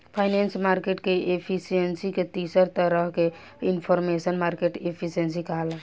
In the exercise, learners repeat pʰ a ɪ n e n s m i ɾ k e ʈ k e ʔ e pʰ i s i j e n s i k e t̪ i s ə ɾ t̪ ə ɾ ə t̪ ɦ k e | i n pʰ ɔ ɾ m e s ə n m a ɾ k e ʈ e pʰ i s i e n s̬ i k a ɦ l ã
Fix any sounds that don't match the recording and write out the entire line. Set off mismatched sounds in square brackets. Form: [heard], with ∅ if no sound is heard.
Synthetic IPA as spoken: pʰ a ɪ n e n s m [a] ɾ k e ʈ k e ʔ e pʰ i s i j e n s i k e t̪ i s ə ɾ t̪ ə ɾ ə [∅] ɦ k e | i n pʰ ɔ ɾ m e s ə n m a ɾ k e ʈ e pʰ i s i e n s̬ i k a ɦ l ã